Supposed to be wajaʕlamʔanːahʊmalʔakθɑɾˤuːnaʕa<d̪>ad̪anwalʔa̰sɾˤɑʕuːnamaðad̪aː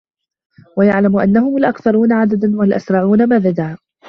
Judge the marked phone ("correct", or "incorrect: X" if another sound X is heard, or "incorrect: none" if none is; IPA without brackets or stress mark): correct